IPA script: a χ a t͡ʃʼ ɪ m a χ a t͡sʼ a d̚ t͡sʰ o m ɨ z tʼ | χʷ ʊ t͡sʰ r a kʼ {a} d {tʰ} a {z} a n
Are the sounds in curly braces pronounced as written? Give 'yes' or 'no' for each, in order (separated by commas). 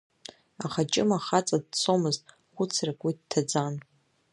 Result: no, yes, no